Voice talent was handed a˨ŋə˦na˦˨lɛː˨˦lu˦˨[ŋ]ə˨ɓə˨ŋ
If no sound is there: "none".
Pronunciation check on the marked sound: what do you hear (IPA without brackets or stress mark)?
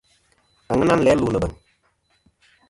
n